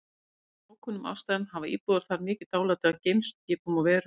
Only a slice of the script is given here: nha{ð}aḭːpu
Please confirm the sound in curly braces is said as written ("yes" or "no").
no